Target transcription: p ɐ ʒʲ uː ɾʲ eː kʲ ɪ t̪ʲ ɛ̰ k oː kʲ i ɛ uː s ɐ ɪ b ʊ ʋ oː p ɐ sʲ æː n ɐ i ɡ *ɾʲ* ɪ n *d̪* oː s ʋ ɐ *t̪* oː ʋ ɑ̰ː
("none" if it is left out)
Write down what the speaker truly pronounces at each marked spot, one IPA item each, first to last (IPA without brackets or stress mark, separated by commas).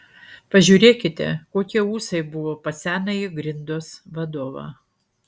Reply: ɾʲ, d̪, d̪